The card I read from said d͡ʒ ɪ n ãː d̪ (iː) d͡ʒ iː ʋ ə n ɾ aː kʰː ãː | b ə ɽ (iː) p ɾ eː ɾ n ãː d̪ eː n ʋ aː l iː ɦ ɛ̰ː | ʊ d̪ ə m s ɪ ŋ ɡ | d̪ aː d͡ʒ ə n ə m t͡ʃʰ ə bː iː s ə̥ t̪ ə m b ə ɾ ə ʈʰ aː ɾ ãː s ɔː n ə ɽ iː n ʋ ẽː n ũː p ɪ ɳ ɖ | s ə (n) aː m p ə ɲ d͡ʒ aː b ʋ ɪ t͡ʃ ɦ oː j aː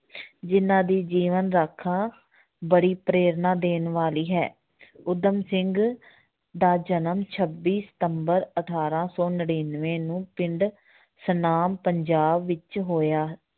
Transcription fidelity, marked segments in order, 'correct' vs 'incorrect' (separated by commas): correct, correct, correct